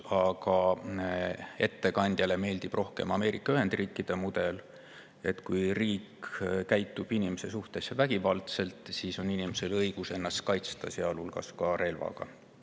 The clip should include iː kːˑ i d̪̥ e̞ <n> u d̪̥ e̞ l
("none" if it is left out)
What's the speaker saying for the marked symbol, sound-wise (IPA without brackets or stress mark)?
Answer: m